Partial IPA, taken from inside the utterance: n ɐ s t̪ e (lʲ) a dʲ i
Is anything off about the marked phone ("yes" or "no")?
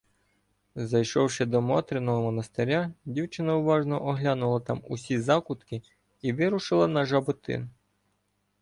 yes